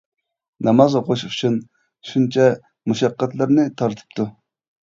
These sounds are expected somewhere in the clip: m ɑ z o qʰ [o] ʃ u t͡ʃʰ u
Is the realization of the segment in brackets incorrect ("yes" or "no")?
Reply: no